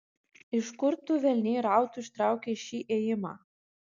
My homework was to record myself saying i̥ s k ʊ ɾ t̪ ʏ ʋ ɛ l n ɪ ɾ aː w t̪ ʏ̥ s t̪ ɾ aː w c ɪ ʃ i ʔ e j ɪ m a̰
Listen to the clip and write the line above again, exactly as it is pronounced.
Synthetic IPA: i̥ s k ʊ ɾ t̪ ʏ v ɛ l n ɪ ɾ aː w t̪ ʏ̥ s t̪ ɾ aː w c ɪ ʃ i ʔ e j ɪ m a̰